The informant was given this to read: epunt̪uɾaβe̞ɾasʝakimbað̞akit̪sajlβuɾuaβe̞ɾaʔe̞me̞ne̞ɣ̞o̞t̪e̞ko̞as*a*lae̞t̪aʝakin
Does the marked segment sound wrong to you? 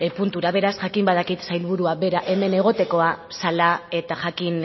no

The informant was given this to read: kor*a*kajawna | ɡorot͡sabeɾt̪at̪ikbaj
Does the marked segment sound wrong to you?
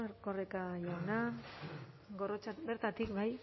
yes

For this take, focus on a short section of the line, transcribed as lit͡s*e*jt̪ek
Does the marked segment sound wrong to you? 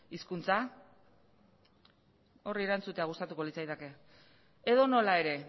yes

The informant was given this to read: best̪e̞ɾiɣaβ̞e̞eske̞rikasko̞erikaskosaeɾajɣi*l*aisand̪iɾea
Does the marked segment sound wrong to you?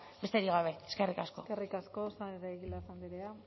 no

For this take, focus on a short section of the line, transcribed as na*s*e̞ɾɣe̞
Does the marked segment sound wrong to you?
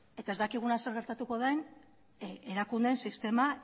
no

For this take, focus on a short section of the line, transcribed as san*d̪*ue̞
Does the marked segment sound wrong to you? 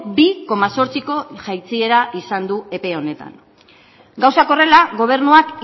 no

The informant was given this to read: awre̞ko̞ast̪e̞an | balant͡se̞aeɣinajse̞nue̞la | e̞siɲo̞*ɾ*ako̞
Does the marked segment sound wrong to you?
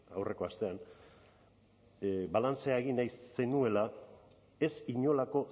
yes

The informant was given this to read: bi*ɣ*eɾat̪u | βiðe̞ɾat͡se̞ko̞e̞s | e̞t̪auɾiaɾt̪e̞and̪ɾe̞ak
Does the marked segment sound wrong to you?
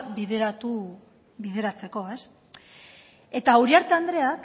yes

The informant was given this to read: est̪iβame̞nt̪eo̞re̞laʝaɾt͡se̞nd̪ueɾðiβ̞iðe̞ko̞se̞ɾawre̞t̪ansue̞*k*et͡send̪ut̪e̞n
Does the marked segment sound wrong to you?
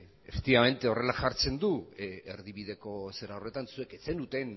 no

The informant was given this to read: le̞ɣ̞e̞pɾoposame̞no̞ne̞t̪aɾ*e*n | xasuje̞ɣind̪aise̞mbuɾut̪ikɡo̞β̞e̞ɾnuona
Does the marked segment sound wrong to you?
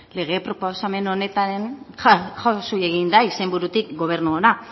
no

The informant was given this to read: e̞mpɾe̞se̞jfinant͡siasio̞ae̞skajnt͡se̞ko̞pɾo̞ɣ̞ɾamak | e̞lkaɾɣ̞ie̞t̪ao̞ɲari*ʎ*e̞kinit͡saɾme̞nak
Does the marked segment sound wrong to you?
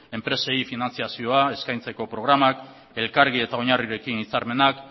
yes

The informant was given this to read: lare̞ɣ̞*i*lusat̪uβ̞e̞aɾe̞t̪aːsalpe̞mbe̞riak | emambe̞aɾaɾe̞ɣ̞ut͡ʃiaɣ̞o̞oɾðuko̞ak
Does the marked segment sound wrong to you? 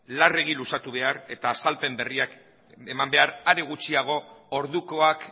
no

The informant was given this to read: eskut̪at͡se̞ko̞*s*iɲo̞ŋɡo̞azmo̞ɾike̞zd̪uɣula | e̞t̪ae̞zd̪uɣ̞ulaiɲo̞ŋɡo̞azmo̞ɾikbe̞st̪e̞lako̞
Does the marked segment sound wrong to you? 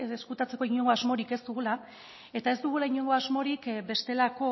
yes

